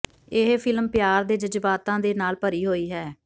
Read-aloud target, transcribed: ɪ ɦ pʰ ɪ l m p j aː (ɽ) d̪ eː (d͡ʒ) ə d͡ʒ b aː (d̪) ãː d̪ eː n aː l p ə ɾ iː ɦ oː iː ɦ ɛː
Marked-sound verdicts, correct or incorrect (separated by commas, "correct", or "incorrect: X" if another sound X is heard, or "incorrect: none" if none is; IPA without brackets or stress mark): incorrect: ɾ, correct, incorrect: t̪